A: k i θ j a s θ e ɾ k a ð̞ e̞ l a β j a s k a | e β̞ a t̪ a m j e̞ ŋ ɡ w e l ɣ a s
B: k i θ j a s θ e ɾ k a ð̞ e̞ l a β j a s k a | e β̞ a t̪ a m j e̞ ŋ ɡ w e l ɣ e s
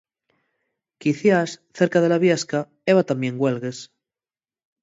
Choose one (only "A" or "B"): B